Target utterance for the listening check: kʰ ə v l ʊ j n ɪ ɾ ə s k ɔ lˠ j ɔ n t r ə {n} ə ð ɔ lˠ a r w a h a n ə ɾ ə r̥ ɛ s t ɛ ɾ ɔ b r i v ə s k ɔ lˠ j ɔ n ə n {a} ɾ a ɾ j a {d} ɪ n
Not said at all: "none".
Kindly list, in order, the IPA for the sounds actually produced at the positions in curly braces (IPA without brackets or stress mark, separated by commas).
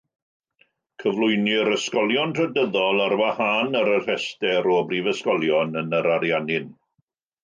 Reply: d, ə, n